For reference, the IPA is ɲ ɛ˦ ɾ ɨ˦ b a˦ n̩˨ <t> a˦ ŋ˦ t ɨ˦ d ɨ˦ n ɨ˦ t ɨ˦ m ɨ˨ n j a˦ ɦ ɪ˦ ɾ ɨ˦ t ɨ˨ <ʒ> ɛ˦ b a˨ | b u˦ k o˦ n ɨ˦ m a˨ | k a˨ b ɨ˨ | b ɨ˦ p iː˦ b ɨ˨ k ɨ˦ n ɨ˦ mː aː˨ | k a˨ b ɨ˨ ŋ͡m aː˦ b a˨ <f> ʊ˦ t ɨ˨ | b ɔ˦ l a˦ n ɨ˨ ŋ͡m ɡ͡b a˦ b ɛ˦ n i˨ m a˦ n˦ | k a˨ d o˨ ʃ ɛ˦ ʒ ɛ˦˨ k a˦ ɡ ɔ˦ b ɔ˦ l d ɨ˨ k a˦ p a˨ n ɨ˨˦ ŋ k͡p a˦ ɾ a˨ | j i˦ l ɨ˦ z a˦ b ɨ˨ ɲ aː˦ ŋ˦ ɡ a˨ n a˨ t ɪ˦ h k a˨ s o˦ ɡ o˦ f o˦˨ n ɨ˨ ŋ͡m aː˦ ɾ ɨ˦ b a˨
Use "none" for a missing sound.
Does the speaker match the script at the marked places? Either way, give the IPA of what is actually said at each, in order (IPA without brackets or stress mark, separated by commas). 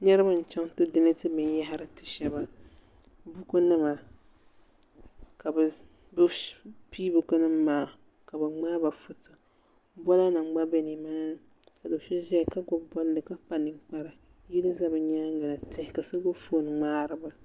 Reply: t͡ʃ, ʃ, f